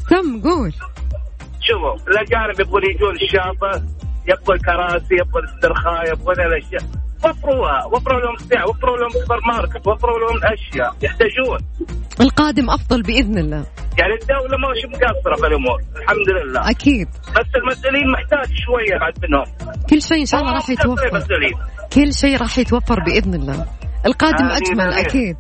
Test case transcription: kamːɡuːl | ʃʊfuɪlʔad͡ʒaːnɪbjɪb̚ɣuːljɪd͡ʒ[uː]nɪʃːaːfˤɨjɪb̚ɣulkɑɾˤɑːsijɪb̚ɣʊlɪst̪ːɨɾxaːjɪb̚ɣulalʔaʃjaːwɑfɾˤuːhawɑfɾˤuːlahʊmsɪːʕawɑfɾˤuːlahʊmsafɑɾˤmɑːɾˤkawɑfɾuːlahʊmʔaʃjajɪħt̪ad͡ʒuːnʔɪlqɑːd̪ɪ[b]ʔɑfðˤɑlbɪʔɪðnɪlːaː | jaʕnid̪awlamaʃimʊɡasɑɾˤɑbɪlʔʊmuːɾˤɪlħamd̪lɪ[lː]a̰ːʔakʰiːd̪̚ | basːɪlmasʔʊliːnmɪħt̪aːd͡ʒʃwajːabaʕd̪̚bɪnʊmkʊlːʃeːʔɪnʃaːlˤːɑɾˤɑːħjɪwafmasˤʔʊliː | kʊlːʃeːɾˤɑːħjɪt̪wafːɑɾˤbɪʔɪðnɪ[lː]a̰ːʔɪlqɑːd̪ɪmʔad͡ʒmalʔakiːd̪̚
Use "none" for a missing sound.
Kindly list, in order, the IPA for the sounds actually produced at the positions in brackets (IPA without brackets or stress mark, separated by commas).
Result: uː, m, lː, lː